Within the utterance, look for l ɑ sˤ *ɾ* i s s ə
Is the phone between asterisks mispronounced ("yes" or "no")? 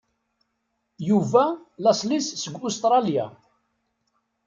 yes